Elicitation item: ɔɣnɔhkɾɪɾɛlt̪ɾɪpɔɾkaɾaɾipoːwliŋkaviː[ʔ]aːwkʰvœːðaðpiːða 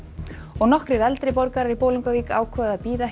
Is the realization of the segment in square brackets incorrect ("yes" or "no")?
yes